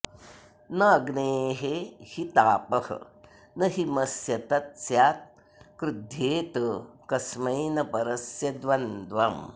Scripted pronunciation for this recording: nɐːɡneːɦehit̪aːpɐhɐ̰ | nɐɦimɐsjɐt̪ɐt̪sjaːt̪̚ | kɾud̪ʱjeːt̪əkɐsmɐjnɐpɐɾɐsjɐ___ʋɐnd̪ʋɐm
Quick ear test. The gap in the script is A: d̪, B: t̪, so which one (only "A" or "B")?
A